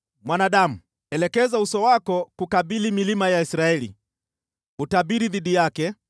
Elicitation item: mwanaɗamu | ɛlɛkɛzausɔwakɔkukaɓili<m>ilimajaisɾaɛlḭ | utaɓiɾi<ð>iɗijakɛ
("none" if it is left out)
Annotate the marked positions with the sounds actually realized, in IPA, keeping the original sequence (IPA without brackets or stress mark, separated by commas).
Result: m, ð